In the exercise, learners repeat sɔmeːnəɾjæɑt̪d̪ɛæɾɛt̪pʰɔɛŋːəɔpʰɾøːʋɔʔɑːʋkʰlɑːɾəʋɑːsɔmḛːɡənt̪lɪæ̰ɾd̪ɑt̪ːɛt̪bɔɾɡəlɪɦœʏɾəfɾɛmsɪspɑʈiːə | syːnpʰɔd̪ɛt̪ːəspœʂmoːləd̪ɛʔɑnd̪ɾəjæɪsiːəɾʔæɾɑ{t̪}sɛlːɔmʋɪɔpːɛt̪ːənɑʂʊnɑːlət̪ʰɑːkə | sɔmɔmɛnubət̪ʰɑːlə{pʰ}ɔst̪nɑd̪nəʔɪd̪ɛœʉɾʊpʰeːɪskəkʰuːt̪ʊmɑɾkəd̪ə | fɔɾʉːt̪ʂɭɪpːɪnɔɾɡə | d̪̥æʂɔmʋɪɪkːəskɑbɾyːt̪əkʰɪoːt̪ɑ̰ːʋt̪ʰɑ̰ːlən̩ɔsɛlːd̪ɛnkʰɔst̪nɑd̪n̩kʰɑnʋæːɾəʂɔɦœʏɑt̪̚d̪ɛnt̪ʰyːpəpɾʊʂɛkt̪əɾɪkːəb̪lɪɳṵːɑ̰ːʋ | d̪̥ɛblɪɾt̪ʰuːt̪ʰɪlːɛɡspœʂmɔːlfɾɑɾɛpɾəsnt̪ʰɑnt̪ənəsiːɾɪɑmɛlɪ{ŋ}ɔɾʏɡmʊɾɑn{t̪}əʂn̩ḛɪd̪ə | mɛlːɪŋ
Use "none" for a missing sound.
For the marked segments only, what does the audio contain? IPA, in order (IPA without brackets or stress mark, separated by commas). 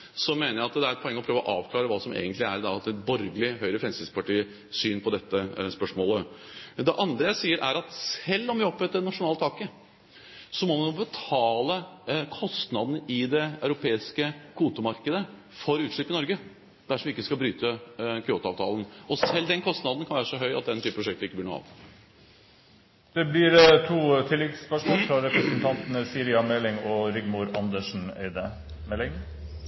t̪, kʰ, ŋ, d̪